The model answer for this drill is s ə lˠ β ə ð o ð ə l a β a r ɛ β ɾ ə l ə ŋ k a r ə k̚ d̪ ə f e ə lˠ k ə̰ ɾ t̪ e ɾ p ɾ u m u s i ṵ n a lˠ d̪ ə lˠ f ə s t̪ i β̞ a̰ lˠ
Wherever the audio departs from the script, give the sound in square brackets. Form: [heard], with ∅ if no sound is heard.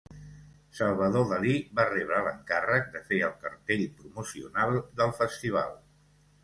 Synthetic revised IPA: s ə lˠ β ə ð o ð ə l [i] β a r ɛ β ɾ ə l ə ŋ k a r ə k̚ d̪ ə f e ə lˠ k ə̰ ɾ t̪ e [ʎ] p ɾ u m u s i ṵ n a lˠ d̪ ə lˠ f ə s t̪ i β̞ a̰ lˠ